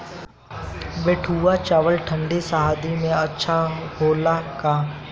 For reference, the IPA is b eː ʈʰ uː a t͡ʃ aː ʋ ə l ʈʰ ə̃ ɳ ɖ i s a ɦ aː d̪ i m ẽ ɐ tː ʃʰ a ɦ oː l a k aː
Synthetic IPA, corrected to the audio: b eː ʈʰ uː a t͡ʃ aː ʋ ə l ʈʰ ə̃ ɳ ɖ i s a ɦ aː d̪ i m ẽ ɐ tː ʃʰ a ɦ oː l a k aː